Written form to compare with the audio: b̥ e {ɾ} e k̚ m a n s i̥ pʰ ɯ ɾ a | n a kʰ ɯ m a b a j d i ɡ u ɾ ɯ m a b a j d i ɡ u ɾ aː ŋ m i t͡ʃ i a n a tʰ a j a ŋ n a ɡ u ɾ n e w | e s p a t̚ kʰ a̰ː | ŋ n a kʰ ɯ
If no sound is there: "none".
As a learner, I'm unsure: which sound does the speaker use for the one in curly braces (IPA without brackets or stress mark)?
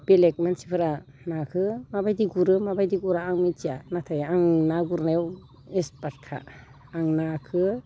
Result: l